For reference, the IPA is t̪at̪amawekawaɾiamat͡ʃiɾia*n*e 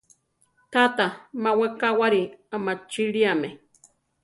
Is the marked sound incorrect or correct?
incorrect